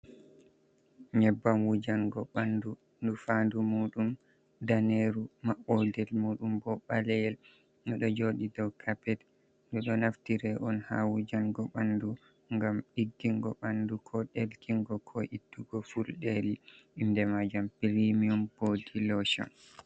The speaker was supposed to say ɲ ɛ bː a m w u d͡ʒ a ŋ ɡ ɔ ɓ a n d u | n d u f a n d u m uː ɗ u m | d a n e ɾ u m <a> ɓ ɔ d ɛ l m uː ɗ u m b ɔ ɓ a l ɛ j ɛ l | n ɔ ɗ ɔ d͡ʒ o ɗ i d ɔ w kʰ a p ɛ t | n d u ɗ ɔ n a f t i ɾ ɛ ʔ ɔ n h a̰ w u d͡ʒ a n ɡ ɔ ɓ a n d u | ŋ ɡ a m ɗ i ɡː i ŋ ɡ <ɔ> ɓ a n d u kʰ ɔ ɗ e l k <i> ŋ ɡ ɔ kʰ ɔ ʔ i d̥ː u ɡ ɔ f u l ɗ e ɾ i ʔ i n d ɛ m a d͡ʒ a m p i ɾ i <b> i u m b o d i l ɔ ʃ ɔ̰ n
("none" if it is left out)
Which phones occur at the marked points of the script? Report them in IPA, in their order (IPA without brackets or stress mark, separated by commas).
a, ɔ, i, m